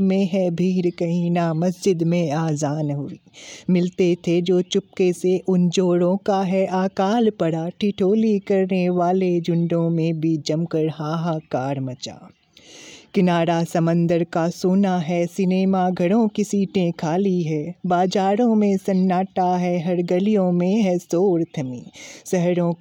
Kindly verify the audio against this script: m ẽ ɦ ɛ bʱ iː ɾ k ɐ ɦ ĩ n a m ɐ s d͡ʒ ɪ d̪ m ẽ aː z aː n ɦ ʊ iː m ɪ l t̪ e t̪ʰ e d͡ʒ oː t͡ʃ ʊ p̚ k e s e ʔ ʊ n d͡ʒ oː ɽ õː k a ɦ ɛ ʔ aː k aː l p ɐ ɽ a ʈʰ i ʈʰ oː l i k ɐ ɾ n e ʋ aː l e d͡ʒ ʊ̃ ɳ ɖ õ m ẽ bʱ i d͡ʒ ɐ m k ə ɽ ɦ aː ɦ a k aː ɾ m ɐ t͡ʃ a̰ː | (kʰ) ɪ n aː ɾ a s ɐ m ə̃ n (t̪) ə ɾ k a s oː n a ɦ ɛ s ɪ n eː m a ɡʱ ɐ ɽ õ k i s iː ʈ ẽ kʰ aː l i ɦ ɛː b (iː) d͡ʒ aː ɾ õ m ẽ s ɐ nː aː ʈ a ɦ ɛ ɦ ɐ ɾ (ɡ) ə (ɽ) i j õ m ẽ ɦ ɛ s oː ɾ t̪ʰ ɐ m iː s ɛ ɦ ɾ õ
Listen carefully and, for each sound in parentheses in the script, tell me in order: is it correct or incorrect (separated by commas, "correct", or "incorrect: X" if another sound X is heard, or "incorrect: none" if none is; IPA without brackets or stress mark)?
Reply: incorrect: k, incorrect: d̪, incorrect: aː, correct, incorrect: l